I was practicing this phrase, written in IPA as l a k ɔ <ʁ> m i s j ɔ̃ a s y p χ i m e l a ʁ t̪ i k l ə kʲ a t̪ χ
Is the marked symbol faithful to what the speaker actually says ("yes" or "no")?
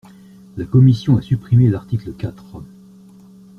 no